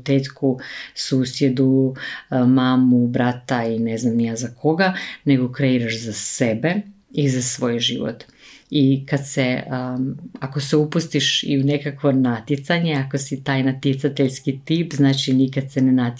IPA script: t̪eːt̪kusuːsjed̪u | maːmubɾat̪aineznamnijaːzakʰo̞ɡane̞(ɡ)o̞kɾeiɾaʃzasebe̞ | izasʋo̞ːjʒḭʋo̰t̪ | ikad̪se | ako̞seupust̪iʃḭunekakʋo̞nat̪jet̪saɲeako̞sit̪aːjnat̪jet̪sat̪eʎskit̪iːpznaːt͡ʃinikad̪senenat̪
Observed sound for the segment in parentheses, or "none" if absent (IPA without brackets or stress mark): ɡ